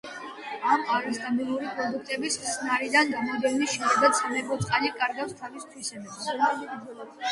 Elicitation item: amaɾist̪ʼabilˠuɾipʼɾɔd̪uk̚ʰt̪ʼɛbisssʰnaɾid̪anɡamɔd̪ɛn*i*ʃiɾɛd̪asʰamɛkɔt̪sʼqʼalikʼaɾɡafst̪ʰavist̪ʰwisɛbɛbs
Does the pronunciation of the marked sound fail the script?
no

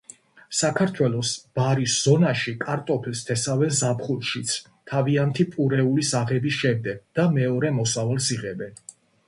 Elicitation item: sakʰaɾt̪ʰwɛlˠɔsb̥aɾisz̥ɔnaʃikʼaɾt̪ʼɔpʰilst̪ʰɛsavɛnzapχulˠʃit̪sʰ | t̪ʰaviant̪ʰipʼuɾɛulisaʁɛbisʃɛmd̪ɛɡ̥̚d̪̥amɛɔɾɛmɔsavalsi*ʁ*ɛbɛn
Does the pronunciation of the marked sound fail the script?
no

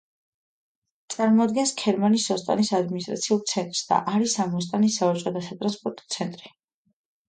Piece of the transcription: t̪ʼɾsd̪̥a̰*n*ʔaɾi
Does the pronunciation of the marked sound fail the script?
yes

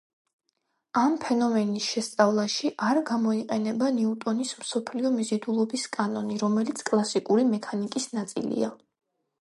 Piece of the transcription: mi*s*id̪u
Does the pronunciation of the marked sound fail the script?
yes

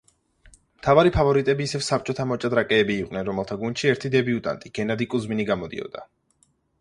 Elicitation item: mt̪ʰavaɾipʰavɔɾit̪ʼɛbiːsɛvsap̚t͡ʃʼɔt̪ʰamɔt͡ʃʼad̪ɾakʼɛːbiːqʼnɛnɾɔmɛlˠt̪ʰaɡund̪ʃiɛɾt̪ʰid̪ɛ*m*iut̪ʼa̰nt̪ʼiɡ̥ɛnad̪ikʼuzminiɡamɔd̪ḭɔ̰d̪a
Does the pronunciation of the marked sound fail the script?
yes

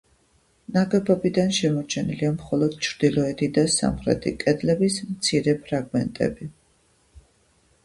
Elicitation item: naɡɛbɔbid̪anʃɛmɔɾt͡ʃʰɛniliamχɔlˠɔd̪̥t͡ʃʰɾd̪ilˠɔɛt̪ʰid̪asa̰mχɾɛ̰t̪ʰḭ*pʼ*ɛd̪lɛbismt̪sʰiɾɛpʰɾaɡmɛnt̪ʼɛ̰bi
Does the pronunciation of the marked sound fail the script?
yes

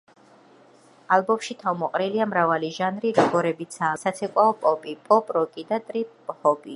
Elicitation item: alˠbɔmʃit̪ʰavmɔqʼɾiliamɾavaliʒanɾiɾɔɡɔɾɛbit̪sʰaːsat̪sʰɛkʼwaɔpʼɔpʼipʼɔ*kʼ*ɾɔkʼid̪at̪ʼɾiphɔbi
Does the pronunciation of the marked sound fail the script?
yes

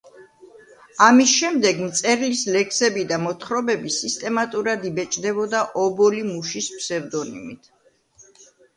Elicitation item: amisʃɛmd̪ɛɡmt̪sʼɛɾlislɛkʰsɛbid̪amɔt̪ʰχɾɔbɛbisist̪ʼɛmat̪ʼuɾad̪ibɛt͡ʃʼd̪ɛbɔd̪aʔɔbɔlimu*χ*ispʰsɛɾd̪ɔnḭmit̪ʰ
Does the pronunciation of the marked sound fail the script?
yes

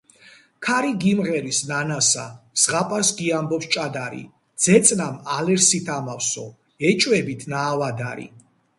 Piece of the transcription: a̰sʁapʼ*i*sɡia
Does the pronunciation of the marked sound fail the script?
yes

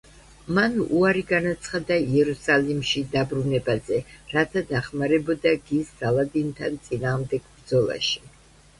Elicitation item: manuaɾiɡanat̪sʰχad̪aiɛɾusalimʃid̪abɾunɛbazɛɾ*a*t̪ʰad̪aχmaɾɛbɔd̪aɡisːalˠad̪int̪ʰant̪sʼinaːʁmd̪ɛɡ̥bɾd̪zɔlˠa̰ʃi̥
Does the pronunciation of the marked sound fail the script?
no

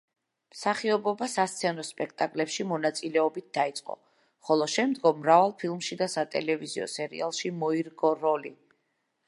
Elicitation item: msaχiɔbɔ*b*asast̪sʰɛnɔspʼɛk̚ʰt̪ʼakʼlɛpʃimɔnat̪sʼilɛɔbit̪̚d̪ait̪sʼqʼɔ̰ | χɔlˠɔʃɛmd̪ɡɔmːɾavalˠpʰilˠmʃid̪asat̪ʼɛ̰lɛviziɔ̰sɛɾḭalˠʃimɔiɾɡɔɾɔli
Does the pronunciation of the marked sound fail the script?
no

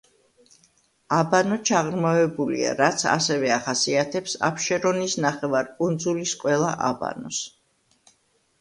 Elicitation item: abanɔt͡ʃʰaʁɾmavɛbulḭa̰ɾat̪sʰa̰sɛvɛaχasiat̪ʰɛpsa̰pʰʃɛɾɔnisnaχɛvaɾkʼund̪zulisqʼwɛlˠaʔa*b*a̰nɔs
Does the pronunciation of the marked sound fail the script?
no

